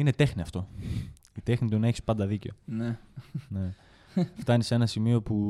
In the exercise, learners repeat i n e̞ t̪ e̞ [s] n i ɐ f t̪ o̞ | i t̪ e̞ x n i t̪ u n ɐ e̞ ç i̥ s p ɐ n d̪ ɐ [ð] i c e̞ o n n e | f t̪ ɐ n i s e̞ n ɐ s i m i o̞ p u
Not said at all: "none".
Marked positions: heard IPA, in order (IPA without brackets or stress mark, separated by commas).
x, ð